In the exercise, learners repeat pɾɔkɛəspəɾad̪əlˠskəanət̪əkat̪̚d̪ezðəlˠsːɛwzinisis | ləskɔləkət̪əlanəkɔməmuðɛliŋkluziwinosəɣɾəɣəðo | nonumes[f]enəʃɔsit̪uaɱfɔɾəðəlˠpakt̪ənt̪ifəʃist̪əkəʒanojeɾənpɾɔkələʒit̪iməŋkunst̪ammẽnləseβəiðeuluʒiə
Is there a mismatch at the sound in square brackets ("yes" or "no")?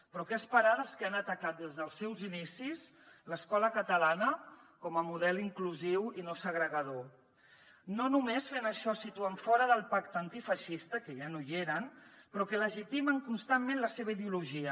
no